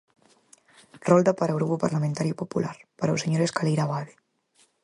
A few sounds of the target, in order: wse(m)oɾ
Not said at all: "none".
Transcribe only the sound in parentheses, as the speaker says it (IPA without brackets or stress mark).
ɲ